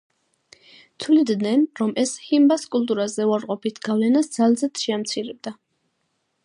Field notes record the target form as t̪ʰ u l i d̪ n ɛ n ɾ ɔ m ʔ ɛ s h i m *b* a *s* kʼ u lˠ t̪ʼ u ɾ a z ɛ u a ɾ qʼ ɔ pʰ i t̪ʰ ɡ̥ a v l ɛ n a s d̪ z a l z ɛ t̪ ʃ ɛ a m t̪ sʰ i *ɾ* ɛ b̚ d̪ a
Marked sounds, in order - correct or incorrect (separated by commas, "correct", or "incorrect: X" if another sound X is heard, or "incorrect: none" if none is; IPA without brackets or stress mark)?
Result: correct, correct, correct